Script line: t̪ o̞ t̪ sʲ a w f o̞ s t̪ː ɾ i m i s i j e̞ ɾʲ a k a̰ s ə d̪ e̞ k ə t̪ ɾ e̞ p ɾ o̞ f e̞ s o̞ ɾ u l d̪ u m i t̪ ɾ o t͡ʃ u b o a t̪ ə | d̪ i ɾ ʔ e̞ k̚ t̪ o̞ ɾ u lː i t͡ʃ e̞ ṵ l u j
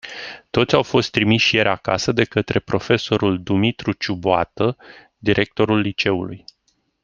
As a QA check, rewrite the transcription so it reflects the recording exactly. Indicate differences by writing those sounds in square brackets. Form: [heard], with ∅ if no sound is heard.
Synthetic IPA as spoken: t̪ o̞ t̪ sʲ a w f o̞ s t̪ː ɾ i m i [ʃ] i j e̞ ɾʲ a k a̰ s ə d̪ e̞ k ə t̪ ɾ e̞ p ɾ o̞ f e̞ s o̞ ɾ u l d̪ u m i t̪ ɾ [u] t͡ʃ u b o a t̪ ə | d̪ i ɾ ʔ e̞ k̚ t̪ o̞ ɾ u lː i t͡ʃ e̞ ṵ l u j